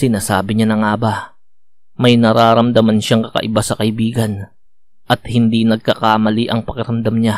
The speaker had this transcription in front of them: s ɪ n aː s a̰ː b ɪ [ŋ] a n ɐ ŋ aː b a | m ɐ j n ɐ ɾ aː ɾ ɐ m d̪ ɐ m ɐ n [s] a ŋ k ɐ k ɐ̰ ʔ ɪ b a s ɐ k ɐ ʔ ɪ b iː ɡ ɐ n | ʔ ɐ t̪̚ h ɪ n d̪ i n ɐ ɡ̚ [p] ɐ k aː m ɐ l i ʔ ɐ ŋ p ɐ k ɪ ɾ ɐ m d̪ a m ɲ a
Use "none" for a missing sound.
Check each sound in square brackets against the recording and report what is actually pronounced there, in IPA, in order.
ɲ, ʃ, k

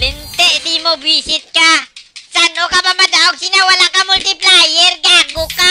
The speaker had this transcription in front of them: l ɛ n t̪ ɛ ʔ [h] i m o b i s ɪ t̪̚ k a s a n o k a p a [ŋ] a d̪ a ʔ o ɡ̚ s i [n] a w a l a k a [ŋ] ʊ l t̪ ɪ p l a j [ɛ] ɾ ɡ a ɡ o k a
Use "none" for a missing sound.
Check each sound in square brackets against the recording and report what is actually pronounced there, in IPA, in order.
s, m, n, m, ɛ

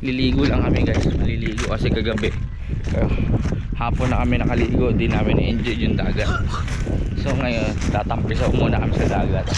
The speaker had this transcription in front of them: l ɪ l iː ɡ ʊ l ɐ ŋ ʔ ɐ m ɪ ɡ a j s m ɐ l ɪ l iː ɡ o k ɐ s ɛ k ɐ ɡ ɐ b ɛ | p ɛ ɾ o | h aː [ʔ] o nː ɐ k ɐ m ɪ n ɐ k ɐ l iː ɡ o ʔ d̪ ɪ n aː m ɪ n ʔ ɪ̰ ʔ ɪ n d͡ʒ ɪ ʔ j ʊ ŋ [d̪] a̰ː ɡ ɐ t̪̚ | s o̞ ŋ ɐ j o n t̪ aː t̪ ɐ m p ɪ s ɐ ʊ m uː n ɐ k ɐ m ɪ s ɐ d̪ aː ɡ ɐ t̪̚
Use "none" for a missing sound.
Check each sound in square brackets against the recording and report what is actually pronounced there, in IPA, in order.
p, d̪

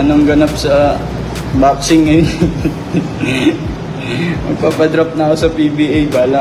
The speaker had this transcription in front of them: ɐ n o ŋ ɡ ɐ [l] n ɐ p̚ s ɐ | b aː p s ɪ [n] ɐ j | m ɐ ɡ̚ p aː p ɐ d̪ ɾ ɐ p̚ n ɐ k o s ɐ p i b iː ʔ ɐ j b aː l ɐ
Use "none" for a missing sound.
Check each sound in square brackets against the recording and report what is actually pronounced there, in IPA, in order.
none, ŋ

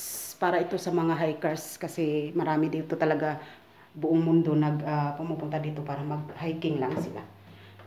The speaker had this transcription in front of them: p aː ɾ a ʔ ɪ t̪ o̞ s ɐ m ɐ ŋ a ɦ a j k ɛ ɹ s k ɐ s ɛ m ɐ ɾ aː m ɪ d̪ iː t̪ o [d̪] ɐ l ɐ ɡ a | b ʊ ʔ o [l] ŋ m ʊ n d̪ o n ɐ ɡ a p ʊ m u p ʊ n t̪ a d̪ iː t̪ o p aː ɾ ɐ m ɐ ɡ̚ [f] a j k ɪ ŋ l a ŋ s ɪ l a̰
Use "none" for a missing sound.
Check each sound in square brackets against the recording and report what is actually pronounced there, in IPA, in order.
t̪, none, h

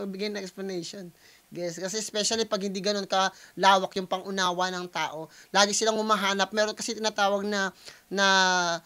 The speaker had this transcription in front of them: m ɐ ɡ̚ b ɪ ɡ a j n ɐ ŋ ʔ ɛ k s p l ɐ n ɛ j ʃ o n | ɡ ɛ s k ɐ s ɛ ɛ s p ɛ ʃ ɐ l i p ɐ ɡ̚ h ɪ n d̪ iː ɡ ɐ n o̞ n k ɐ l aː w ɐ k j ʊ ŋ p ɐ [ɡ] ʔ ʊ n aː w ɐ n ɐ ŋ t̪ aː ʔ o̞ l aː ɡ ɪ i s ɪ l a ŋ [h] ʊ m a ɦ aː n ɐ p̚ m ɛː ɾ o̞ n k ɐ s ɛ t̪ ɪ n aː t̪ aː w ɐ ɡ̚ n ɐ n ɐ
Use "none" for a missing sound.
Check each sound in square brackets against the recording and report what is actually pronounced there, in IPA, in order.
ŋ, h

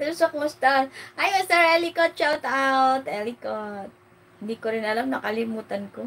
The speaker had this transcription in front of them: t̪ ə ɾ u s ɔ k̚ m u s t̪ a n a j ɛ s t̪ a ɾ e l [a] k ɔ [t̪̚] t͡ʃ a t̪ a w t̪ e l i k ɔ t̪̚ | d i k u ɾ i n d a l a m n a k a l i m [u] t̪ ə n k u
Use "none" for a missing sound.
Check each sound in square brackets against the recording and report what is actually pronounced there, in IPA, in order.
i, t̪̚, u

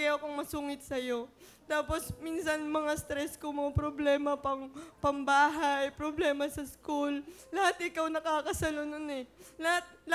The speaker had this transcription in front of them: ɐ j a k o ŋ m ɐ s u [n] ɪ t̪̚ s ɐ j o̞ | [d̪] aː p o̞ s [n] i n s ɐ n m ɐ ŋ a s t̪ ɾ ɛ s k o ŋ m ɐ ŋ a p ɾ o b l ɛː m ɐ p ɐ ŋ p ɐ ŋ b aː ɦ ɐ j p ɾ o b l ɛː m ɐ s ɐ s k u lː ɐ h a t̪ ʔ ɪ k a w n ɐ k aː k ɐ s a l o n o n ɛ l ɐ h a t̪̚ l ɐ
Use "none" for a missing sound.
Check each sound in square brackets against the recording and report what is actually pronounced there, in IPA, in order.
ŋ, t̪, m

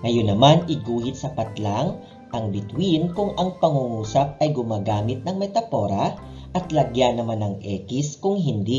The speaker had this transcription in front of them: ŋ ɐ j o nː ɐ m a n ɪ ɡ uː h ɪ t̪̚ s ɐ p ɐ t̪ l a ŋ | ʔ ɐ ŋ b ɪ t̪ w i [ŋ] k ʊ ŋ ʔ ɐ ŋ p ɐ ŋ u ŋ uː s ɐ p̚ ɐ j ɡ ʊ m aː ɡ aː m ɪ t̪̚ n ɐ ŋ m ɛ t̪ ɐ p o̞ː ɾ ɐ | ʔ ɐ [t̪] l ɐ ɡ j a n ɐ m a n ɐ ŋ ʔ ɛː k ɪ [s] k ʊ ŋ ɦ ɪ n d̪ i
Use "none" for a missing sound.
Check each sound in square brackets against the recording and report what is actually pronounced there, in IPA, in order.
n, t̪, s

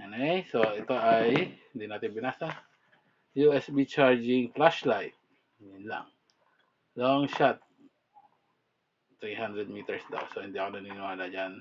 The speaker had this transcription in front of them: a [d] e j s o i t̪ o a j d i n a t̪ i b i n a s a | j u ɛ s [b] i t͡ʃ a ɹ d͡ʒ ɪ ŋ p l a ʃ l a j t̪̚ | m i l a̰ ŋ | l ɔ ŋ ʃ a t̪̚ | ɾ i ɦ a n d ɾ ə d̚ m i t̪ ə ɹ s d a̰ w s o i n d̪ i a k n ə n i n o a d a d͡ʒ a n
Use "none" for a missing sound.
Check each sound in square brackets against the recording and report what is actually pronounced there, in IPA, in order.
n, b

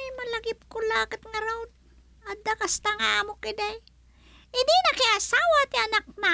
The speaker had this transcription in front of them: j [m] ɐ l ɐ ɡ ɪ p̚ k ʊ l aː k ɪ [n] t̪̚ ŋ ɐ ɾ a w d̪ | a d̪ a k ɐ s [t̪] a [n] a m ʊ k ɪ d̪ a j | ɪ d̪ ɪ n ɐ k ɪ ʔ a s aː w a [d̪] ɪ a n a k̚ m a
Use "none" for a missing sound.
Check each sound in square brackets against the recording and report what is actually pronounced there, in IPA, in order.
m, none, t̪, ŋ, t̪

